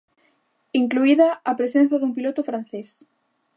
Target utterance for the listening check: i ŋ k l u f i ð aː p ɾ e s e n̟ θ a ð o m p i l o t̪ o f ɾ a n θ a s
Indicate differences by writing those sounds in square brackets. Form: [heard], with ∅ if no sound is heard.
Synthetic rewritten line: i ŋ k l u [∅] i ð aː p ɾ e s e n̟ θ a ð [u] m p i l o t̪ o f ɾ a n θ [e] s